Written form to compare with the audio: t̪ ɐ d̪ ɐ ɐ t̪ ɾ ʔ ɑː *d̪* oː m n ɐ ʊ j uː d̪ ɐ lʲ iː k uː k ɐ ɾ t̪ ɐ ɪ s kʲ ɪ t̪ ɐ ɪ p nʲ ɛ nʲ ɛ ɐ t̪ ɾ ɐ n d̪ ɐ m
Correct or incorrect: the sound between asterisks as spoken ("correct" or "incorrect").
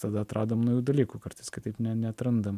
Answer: correct